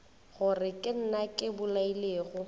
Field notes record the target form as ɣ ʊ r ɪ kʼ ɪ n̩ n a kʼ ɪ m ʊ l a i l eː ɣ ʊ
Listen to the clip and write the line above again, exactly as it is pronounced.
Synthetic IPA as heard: ɣ ʊ r ɪ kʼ ɪ n̩ n a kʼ ɪ b ʊ l a i l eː ɣ ʊ